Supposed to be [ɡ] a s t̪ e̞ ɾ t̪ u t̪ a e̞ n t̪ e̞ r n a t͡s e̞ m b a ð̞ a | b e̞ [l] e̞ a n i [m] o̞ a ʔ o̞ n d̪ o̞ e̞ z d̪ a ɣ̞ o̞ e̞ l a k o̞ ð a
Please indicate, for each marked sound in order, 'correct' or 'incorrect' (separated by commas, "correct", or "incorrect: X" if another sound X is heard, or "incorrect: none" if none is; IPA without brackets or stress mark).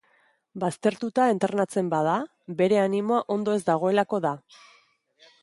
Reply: incorrect: b, incorrect: ɾ, correct